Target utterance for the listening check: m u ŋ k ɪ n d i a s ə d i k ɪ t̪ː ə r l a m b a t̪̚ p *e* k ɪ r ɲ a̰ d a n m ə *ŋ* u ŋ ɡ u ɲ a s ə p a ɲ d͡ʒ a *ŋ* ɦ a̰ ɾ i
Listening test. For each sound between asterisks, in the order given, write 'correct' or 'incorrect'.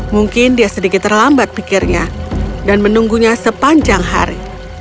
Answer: incorrect: i, incorrect: n, correct

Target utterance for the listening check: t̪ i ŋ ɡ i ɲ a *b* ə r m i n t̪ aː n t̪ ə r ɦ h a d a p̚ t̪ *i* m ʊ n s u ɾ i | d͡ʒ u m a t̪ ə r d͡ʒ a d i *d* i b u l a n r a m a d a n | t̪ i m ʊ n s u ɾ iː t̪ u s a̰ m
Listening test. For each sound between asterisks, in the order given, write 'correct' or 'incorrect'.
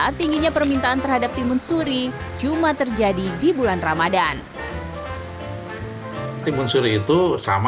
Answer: incorrect: p, correct, correct

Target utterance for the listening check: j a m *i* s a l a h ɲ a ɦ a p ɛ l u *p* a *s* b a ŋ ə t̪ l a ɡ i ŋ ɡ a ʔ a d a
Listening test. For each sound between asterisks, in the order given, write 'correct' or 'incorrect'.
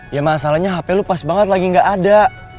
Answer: incorrect: a, correct, correct

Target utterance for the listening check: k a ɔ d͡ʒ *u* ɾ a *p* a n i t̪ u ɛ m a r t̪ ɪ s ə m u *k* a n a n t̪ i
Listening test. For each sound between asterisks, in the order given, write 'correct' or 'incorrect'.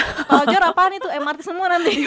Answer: incorrect: ɔ, correct, incorrect: none

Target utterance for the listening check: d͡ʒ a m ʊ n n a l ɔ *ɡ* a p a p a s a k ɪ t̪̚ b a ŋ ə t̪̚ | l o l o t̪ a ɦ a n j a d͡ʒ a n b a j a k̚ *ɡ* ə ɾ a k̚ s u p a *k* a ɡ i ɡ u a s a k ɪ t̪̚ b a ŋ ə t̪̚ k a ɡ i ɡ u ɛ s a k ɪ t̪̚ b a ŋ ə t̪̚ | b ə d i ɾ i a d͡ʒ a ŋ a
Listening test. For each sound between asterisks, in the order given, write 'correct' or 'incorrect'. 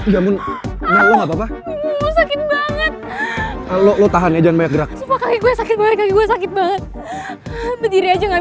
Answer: incorrect: ŋ, correct, correct

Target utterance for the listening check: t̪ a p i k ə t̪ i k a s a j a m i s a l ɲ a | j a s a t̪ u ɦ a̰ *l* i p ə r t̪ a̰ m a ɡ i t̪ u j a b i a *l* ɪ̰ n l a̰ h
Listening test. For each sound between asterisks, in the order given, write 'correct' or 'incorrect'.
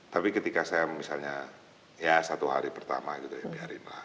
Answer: incorrect: ɾ, incorrect: ɾ

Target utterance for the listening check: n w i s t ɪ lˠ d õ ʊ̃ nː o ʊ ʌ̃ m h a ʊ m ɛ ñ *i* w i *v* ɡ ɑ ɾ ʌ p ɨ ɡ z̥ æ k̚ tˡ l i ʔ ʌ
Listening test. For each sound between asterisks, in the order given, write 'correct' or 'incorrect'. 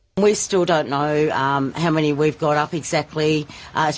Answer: correct, correct

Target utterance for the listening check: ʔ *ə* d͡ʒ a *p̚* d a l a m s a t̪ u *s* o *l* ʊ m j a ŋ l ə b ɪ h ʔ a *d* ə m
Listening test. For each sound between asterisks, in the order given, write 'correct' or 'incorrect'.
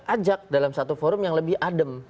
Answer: incorrect: a, incorrect: k̚, incorrect: f, incorrect: ɾ, correct

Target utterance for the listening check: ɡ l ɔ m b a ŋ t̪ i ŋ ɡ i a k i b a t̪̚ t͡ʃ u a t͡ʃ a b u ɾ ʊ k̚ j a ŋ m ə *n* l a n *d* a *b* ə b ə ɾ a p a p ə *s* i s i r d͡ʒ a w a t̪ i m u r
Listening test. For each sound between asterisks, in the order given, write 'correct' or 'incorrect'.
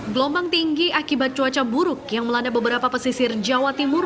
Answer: incorrect: none, correct, correct, correct

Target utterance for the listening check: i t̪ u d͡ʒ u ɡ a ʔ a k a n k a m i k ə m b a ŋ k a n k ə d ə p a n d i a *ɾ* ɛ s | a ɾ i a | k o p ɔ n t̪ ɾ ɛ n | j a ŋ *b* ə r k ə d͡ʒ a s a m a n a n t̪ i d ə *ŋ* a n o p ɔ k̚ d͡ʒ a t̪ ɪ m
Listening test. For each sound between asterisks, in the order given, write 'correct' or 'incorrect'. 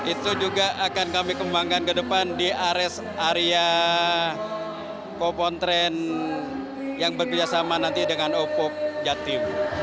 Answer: correct, correct, correct

